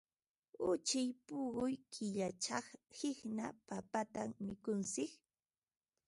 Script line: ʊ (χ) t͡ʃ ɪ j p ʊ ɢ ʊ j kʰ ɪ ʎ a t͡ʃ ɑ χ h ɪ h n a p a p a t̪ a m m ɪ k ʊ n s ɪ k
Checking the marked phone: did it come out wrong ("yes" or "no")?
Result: yes